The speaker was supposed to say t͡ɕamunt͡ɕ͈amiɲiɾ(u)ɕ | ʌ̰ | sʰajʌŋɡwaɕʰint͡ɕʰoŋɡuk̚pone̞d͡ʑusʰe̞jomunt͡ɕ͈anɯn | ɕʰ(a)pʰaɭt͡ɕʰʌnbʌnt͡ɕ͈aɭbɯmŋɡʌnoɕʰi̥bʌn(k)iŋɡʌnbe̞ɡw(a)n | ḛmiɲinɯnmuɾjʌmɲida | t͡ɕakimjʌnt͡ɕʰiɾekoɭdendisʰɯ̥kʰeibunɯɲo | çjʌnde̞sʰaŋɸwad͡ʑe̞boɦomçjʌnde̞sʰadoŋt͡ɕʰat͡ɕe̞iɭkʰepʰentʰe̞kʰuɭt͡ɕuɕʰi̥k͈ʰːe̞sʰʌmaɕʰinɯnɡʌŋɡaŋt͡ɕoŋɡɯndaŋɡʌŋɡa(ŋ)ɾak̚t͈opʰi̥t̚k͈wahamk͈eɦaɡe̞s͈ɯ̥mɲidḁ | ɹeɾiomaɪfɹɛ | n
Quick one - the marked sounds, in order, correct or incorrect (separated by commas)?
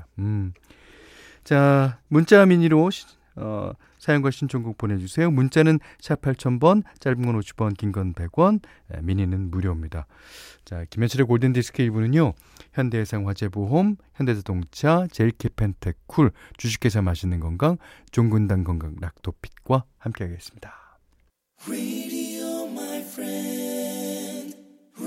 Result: incorrect, correct, correct, incorrect, correct